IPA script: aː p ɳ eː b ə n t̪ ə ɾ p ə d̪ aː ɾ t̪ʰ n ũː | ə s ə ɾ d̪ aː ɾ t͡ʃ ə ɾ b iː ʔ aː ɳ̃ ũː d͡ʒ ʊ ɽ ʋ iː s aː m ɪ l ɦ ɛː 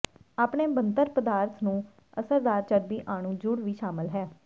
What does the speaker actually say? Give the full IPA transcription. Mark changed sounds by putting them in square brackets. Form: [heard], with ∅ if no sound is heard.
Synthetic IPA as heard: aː p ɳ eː b ə n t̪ ə ɾ p ə d̪ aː ɾ t̪ʰ n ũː | ə s ə ɾ d̪ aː ɾ t͡ʃ ə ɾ b iː ʔ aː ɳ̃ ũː d͡ʒ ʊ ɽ ʋ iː [ʃ] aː m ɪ l ɦ ɛː